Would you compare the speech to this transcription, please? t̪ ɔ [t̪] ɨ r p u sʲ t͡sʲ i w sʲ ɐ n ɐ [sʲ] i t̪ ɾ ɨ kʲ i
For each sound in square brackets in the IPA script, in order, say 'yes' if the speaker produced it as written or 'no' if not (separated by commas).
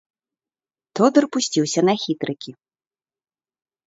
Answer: no, no